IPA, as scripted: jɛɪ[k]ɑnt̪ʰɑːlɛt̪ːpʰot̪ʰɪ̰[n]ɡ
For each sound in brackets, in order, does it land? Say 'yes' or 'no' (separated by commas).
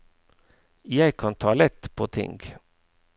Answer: no, no